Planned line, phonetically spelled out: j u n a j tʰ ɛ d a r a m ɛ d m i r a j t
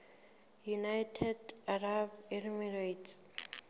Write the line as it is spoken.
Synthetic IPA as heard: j u n a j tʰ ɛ d a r a b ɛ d m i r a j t